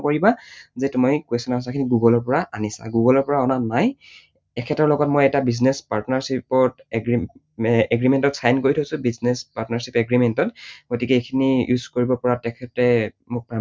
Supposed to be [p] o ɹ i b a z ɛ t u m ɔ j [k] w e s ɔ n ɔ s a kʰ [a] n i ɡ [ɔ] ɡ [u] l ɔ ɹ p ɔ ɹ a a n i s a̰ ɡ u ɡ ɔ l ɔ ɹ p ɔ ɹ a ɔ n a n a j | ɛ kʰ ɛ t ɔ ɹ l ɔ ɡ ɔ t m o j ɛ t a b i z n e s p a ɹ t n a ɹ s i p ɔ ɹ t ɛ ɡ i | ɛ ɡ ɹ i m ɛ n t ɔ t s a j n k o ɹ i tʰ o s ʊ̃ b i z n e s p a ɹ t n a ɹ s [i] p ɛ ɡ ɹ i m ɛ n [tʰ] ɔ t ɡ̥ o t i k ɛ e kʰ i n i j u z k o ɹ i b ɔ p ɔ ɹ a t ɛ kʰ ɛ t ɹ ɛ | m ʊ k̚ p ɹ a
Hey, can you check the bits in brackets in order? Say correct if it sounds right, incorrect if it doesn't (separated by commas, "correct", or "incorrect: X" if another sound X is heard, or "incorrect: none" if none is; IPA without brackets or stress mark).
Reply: incorrect: k, correct, incorrect: i, incorrect: u, incorrect: ɔ, correct, incorrect: t